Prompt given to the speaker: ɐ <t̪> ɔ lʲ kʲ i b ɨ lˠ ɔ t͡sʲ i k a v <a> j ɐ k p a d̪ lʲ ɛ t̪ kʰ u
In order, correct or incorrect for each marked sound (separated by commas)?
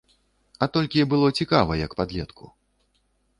correct, incorrect